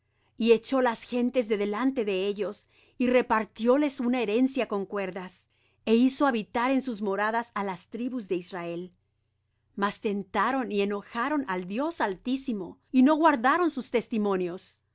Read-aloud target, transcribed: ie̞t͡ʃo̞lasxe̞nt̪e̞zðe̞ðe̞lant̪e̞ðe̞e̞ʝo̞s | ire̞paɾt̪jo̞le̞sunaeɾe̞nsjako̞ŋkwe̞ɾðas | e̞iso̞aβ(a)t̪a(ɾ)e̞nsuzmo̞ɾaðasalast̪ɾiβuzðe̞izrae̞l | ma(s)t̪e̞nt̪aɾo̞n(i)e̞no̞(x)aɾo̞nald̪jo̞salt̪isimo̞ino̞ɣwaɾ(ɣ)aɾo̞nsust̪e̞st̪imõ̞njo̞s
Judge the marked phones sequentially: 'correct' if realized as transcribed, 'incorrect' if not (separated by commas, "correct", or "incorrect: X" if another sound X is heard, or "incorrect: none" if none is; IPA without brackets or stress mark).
incorrect: i, correct, correct, correct, correct, incorrect: ð